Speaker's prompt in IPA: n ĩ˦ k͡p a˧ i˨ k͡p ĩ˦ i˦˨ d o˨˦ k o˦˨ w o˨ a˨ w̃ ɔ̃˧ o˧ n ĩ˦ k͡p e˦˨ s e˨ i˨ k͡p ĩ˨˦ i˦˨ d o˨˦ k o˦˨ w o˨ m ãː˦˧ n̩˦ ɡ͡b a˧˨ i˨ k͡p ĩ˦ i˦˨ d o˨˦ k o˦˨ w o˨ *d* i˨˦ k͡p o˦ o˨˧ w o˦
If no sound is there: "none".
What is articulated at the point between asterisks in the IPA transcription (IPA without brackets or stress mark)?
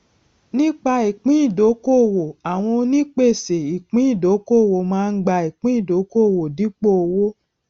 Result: d